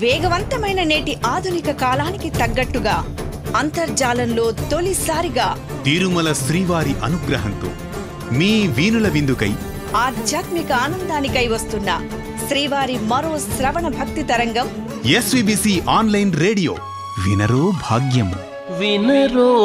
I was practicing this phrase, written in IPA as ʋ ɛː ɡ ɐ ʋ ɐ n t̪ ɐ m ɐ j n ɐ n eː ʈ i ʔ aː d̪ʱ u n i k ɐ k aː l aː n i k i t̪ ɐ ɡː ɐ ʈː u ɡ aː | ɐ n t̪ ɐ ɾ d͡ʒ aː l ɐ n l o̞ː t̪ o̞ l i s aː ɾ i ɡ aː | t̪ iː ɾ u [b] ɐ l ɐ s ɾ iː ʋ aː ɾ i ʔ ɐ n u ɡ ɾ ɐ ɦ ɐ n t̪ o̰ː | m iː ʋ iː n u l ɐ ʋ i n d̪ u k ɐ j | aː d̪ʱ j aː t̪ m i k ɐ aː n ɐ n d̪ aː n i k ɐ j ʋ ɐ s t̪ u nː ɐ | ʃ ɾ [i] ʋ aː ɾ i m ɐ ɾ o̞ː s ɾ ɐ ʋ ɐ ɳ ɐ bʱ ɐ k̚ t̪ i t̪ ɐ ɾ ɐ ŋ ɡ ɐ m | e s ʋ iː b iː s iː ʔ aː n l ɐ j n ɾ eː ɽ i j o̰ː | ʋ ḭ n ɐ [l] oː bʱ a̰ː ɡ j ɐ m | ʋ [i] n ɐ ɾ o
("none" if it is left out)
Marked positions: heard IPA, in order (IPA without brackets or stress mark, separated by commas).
m, iː, ɾ, i